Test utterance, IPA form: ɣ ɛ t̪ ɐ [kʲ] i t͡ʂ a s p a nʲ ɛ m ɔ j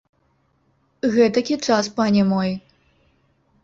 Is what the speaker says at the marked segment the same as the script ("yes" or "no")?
yes